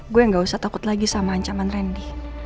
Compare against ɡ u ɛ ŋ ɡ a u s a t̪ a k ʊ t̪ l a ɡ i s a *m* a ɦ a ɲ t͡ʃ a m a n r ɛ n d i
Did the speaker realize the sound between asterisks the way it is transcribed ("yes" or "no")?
yes